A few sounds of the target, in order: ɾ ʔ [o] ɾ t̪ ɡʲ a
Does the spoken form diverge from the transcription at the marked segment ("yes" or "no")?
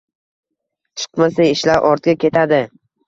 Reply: yes